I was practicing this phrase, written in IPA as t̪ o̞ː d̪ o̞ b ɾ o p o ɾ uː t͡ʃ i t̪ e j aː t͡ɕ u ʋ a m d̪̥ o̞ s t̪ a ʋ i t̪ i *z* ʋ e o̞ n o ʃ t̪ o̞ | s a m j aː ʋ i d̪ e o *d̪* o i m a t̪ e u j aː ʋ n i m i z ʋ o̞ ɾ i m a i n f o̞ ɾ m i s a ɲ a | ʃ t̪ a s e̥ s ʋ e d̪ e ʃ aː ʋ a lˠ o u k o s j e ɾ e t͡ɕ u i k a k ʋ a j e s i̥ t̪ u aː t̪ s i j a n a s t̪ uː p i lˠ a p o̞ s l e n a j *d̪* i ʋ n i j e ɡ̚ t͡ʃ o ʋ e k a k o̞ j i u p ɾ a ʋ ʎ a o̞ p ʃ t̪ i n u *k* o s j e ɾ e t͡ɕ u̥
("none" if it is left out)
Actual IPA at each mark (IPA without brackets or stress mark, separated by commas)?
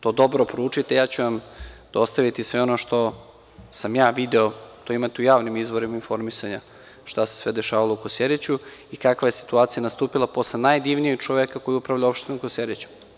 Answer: s, t̪, d̪, k